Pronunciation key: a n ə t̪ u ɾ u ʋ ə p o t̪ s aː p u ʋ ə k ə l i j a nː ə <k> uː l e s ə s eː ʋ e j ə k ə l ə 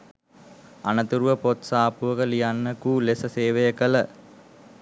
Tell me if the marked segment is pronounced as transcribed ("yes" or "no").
yes